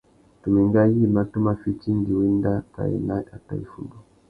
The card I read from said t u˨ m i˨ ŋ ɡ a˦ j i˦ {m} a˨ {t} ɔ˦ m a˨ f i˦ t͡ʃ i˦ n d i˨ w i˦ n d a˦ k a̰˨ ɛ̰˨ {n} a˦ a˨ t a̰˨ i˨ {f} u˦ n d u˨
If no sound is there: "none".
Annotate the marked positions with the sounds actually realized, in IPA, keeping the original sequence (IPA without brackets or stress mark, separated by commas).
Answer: m, t, n, f